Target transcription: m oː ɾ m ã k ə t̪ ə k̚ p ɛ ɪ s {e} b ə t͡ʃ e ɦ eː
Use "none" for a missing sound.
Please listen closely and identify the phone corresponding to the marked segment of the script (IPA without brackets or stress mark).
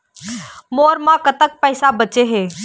a